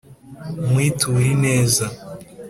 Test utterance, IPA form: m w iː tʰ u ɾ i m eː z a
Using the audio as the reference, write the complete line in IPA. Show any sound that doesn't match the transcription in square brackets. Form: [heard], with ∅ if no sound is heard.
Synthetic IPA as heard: m w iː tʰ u ɾ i [n] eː z a

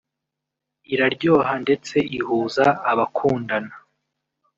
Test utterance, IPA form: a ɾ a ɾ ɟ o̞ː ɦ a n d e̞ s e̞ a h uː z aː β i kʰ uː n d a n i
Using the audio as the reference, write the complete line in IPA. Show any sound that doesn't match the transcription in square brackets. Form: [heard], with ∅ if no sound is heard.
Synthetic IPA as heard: [i] ɾ a ɾ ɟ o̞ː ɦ a n d e̞ [t͡s] e̞ [i] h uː z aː β [a] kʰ uː n d a n [a]

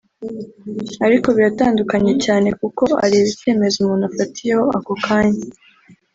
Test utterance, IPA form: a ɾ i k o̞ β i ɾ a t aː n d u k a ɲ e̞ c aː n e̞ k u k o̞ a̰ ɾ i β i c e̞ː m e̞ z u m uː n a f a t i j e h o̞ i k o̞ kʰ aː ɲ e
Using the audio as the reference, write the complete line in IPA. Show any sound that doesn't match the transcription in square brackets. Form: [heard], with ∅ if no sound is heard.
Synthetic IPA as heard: a ɾ i k o̞ β i ɾ a t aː n d u k a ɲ e̞ c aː n e̞ k u k o̞ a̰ ɾ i β i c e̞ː m e̞ z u m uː n a f a t i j e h o̞ [a] k o̞ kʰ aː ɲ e

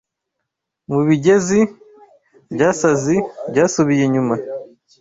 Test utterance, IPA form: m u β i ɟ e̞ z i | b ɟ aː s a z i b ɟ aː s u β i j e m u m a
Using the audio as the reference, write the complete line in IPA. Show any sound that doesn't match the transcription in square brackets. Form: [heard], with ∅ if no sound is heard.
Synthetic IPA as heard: m u β i ɟ e̞ z i | b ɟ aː s a z i b ɟ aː s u β i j e [ɲ] u m a

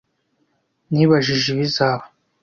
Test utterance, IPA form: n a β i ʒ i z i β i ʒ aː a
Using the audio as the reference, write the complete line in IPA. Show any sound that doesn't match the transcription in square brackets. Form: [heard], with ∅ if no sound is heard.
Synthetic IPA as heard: n [i] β [a] ʒ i [ʒ] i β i [z] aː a

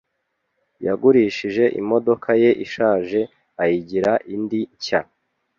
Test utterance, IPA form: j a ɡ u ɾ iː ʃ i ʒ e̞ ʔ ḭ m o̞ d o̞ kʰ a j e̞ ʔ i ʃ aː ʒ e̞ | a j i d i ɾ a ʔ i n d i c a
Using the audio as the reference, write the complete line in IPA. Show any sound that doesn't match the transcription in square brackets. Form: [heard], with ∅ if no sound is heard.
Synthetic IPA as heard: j a ɡ u ɾ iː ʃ i ʒ e̞ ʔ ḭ m o̞ d o̞ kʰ a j e̞ ʔ i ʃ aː ʒ e̞ | a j i [ɟ] i ɾ a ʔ i n d i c a

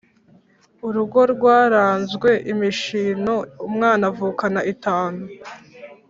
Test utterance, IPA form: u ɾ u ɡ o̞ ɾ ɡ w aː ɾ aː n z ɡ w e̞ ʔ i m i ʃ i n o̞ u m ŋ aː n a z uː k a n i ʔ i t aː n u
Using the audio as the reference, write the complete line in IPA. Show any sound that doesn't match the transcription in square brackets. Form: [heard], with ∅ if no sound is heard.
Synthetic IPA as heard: u ɾ u ɡ o̞ ɾ ɡ w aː ɾ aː n z ɡ w e̞ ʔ i m i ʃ i n o̞ u m ŋ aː n a [v] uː k a n [a] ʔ i t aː n u

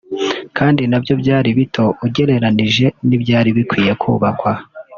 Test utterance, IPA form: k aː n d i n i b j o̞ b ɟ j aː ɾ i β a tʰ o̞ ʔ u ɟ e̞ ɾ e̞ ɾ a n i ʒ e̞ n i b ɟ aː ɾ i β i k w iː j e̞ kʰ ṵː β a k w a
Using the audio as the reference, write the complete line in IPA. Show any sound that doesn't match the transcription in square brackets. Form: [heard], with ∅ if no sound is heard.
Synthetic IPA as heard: k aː n d i n [a] b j o̞ b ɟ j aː ɾ i β [i] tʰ o̞ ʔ u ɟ e̞ ɾ e̞ ɾ a n i ʒ e̞ n i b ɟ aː ɾ i β i k w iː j e̞ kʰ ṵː β a k w a

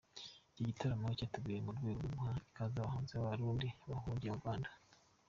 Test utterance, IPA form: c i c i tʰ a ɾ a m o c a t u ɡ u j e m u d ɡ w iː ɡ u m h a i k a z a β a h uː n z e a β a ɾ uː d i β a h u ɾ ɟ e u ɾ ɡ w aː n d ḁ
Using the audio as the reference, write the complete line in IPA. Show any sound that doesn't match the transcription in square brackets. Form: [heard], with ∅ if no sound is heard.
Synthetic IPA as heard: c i [ɟ] i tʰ a ɾ a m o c a t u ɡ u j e m u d ɡ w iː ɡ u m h a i k a z a β a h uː n z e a β a ɾ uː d i β a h u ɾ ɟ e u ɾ ɡ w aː n d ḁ

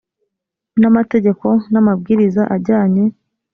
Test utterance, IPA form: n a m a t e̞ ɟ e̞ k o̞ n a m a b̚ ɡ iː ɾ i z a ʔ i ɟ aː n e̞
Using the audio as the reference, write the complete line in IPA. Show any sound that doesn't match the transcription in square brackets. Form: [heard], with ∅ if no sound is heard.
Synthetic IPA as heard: n a m a t e̞ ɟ e̞ k o̞ n a m a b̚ ɡ iː ɾ i z a ʔ [a] ɟ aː [ɲ] e̞

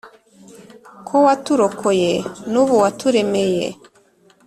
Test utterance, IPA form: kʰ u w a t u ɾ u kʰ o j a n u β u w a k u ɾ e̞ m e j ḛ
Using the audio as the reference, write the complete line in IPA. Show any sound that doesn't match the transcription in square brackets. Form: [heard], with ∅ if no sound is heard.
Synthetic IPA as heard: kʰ [o] w a t u ɾ [o] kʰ o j [e] n u β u w a [t] u ɾ e̞ m e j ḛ

